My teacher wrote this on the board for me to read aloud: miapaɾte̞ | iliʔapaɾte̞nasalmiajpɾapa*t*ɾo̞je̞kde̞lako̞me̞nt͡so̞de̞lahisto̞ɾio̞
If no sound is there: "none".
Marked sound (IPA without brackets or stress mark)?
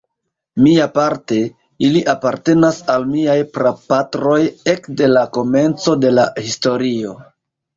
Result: t